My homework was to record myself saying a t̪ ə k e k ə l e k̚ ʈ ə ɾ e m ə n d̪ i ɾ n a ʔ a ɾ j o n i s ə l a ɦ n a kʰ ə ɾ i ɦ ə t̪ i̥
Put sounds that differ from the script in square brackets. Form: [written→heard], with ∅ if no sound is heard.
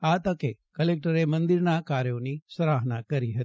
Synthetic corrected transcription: a t̪ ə k e k ə l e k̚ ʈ ə ɾ e m ə n d̪ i ɾ n a [ʔ→k] a ɾ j o n i s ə [l→ɾ] a ɦ n a [kʰ→k] ə ɾ i ɦ ə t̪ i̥